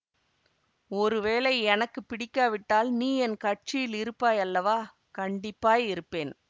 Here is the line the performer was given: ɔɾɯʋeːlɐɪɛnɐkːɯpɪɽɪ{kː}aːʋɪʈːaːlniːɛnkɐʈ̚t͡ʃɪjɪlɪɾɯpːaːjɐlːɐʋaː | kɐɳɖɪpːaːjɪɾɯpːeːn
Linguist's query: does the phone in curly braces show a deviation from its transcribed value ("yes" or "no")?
no